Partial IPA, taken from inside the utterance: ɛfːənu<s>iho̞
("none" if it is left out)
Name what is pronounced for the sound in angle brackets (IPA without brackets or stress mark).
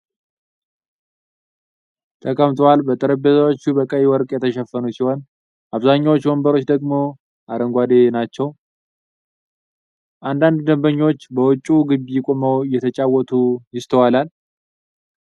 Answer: s